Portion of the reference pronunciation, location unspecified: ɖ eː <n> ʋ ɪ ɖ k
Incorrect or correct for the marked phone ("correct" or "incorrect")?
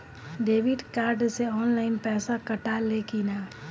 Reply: incorrect